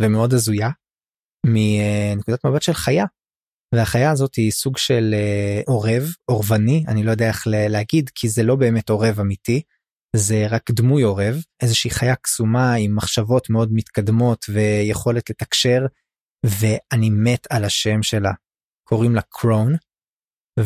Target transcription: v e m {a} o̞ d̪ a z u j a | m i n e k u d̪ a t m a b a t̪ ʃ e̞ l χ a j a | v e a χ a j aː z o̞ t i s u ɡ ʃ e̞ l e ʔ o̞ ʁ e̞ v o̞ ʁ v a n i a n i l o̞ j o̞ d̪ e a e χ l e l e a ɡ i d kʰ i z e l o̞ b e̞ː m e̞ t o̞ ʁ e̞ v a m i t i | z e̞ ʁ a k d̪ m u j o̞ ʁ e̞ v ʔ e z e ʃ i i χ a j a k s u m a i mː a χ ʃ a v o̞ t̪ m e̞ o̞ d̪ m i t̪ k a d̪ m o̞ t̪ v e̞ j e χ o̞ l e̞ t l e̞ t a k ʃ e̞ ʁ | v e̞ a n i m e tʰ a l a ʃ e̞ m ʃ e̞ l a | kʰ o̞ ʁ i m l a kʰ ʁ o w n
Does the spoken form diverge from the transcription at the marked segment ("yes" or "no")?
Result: yes